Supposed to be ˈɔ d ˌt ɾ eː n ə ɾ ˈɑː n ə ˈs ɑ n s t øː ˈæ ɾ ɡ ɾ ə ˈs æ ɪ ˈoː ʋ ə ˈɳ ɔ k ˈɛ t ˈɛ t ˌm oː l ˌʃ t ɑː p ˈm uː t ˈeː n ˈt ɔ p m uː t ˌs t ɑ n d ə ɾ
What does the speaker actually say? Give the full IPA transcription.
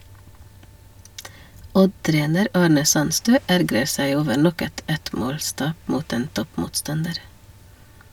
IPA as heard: ˈɔ d ˌt ɾ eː n ə ɾ ˈɑː ɳ ə ˈs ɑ n s t øː ˈæ ɾ ɡ ɾ ə ˈs æ ɪ ˈoː ʋ ə ˈɳ ɔ k ˈɛ t ˈɛ t ˌm oː l ˌs t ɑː p ˈm uː t ˈeː n ˈt ɔ p m uː t ˌs t ɑ n d ə ɾ